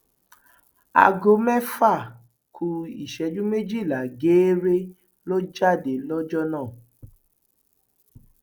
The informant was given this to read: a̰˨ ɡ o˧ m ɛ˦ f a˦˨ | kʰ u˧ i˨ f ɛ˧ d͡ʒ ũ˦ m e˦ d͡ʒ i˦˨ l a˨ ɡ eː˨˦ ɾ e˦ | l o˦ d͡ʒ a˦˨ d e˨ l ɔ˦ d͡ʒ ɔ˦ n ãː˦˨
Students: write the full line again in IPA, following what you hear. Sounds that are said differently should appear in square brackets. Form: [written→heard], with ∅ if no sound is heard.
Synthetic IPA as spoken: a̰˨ ɡ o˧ m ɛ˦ f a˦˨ | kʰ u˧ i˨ [f→ʃ] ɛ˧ d͡ʒ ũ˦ m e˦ d͡ʒ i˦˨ l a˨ ɡ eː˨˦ ɾ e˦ | l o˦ d͡ʒ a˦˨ d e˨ l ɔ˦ d͡ʒ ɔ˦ n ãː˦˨